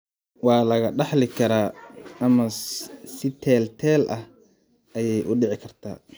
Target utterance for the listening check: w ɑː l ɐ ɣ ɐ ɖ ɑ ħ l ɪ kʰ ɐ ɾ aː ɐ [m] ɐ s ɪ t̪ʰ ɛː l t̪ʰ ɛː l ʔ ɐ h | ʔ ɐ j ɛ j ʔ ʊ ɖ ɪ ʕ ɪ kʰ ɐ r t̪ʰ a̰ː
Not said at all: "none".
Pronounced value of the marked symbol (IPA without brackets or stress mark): m